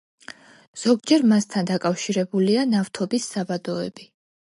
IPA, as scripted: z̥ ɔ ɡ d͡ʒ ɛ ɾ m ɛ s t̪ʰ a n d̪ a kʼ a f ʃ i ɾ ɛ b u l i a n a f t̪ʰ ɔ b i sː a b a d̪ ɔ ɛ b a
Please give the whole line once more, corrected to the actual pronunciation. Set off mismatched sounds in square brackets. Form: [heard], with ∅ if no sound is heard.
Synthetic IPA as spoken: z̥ ɔ ɡ d͡ʒ ɛ ɾ m [a] s t̪ʰ a n d̪ a kʼ a f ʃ i ɾ ɛ b u l i a n a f t̪ʰ ɔ b i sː a b a d̪ ɔ ɛ b [i]